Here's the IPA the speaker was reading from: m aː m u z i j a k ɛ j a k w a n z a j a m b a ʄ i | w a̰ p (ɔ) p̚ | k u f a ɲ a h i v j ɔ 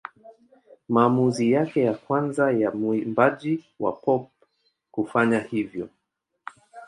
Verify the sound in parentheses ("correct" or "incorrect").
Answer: correct